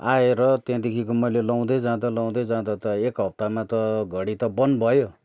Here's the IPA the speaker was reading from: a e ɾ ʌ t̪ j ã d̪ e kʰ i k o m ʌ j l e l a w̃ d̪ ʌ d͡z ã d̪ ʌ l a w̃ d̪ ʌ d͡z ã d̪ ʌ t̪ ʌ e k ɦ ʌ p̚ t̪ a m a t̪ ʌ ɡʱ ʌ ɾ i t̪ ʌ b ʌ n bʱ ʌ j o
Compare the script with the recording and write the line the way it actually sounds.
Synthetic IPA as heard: a e ɾ ʌ t̪ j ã d̪ e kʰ i k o m ʌ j l e l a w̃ d̪ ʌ d͡z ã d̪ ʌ l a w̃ d̪ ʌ d͡z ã d̪ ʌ t̪ ʌ e k ɦ ʌ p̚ t̪ a m a t̪ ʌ ɡʱ ʌ ɽ i t̪ ʌ b ʌ n bʱ ʌ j o